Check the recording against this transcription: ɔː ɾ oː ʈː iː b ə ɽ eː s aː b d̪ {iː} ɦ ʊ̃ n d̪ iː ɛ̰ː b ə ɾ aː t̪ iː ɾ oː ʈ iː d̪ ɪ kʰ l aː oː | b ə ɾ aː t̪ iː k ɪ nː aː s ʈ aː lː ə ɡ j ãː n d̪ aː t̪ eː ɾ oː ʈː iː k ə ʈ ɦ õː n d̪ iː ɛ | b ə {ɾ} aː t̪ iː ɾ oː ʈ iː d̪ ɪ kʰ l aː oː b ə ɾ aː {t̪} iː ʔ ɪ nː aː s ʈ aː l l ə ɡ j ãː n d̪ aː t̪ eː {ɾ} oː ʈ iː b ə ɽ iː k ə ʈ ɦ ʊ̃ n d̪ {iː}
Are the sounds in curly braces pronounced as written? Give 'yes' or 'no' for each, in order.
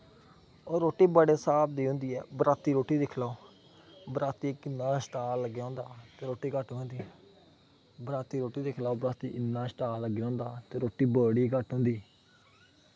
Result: yes, yes, yes, yes, yes

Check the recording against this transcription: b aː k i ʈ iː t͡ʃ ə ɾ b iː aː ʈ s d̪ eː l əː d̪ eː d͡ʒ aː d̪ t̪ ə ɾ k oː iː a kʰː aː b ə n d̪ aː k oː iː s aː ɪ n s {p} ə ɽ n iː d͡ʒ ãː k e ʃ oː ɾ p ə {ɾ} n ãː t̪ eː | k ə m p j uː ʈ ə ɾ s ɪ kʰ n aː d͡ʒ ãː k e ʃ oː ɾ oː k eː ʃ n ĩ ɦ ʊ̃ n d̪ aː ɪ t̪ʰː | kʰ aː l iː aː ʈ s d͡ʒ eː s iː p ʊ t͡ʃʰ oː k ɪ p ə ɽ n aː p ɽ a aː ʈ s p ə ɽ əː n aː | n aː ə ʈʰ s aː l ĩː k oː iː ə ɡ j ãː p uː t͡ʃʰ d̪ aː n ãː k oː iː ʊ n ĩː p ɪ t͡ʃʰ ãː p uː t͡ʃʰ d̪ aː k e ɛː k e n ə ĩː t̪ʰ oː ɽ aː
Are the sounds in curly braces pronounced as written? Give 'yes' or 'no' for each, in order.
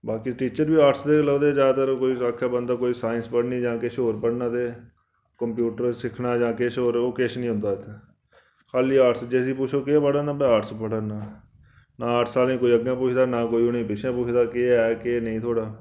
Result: yes, no

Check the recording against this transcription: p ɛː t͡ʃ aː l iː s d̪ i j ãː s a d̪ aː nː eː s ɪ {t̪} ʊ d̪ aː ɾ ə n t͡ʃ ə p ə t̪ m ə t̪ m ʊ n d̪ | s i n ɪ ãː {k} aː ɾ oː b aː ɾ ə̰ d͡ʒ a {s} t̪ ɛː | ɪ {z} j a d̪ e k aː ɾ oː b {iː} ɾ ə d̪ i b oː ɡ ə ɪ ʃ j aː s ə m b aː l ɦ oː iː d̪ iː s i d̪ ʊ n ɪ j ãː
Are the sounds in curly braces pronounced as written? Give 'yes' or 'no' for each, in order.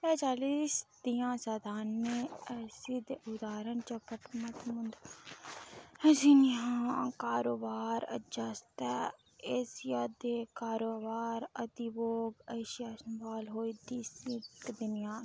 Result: no, yes, yes, no, no

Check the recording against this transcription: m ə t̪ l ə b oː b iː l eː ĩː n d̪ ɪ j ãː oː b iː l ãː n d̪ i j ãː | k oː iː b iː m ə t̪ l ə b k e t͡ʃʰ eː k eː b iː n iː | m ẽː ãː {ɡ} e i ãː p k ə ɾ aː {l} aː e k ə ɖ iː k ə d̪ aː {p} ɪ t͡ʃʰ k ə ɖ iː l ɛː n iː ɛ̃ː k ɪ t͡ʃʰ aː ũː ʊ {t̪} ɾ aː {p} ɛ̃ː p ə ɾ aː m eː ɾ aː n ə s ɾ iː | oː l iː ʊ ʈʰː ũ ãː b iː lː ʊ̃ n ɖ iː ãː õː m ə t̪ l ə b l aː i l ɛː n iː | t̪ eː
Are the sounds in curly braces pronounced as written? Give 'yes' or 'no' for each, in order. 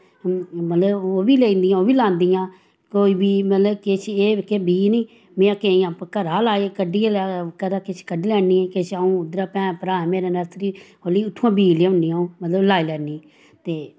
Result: no, yes, no, no, yes

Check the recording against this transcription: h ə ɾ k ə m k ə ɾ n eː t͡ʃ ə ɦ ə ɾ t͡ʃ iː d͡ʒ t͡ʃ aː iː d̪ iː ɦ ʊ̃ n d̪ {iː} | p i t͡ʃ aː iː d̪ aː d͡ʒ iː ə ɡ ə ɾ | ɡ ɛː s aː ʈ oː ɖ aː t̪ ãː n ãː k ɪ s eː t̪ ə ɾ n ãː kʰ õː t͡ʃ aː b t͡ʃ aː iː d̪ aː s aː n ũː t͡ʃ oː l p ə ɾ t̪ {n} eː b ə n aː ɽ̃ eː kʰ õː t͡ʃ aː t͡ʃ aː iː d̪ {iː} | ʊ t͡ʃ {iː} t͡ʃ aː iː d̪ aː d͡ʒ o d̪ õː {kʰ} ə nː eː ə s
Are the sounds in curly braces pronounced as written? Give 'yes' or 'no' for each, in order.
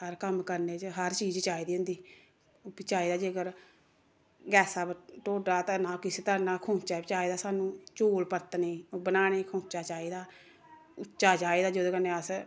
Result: yes, yes, no, no, no

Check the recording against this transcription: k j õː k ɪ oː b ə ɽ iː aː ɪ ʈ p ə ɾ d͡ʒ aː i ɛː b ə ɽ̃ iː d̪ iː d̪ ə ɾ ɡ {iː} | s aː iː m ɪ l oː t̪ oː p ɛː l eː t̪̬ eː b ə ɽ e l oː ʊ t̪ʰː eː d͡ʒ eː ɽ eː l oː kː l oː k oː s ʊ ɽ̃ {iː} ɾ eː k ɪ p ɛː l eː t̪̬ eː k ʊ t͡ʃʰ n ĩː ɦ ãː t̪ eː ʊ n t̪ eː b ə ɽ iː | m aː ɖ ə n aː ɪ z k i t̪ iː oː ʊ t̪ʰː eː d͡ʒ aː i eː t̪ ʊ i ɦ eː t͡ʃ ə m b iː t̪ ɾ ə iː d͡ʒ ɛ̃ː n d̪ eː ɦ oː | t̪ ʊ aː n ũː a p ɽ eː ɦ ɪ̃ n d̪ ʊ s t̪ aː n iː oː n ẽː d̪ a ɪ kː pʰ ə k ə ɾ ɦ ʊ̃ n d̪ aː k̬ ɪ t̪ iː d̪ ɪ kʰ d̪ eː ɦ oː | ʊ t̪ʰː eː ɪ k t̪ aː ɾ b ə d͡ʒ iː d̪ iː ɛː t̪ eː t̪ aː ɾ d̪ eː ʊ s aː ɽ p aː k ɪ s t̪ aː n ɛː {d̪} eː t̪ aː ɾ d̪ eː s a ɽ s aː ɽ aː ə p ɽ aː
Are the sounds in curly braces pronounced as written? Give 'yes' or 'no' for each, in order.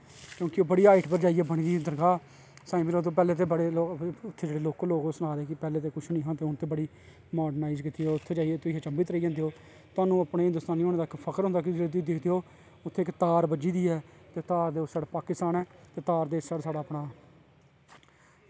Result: no, no, no

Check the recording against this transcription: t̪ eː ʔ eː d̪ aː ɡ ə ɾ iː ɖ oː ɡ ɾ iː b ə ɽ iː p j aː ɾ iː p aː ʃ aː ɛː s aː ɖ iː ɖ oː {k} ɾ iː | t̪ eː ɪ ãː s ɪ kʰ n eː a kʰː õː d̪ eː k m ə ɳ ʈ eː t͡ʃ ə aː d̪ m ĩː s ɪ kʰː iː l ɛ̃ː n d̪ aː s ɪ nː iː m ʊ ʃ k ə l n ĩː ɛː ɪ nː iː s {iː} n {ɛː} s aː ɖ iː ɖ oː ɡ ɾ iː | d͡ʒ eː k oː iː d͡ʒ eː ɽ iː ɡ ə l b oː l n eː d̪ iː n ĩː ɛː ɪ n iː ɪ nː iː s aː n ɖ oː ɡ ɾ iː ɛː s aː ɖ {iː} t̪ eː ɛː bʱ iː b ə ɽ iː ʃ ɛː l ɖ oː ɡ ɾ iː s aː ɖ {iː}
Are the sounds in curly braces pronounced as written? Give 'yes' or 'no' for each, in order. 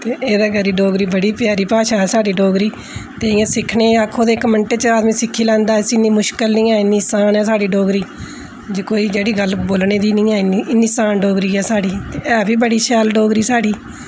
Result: no, no, yes, yes, yes

